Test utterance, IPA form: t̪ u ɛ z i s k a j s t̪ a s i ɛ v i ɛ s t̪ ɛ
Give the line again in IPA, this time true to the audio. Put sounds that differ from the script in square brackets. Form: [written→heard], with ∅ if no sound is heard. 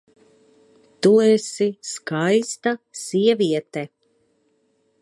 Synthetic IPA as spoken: t̪ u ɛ [z→s] i s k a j s t̪ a s i ɛ v i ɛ [s→∅] t̪ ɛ